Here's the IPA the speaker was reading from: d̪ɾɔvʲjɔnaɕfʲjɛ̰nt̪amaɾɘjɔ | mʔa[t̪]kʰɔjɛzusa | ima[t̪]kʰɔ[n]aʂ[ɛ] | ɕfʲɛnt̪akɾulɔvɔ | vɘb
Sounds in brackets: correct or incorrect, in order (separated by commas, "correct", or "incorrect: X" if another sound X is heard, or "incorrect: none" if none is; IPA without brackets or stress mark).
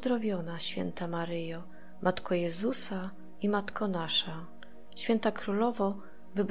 correct, correct, correct, incorrect: a